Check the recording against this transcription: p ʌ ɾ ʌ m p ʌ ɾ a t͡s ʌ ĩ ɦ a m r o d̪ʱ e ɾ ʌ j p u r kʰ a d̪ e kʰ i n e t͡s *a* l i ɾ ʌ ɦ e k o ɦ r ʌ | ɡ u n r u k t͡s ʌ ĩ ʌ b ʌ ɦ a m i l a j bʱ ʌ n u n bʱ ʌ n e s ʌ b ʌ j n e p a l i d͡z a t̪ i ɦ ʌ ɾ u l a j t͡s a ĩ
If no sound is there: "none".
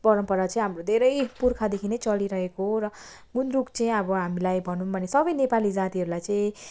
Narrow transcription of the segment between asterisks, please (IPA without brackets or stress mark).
ʌ